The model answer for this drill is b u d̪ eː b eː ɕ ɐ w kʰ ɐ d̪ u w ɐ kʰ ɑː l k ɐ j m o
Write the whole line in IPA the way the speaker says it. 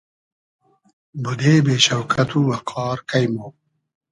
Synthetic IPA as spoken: b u d̪ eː b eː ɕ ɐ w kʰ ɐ t̪ u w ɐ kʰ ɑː ɾ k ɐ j m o

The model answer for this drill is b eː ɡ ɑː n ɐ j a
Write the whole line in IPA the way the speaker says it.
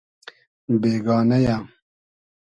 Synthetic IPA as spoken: b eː ɡ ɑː n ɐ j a

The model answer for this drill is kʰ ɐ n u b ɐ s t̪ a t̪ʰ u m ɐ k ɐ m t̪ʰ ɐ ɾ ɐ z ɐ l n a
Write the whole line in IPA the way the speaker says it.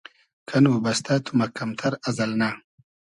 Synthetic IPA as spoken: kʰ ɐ n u b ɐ s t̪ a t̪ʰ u m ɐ k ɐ m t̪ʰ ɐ ɾ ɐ z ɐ l n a

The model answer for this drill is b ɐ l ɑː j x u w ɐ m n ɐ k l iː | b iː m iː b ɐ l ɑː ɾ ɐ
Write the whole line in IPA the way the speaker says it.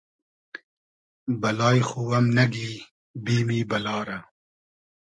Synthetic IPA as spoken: b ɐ l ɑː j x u w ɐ m n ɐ ɡ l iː | b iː m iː b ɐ l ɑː ɾ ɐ

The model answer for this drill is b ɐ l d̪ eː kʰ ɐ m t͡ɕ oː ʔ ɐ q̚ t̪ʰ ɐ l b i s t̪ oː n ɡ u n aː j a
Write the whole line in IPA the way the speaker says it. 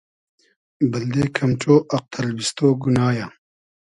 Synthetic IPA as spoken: b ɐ l d̪ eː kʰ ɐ m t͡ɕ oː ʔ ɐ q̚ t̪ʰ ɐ l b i s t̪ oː ɡ u n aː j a

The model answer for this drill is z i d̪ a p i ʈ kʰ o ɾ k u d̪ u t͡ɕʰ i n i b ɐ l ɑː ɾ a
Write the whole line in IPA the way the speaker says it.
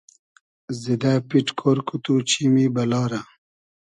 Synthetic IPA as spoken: z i d̪ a p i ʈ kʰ o ɾ k u t̪ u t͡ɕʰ i m i b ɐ l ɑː ɾ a

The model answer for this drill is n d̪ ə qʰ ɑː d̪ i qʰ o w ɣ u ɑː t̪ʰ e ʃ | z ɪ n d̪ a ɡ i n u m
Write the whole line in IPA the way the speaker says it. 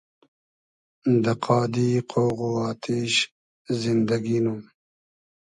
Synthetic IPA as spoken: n d̪ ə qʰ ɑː d̪ i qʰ o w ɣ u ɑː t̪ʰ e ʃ | z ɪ n d̪ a ɡ i n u m

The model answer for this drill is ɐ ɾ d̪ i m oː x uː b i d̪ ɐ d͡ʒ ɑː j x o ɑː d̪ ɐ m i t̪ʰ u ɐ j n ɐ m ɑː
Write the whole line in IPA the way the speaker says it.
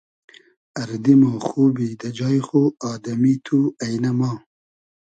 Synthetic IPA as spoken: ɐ ɾ d̪ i m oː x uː b i d̪ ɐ d͡ʒ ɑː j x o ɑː d̪ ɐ m i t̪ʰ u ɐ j n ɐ m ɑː

